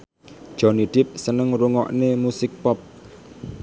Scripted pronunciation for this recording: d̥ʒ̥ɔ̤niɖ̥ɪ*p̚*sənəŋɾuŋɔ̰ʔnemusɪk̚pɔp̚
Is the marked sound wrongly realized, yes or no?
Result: no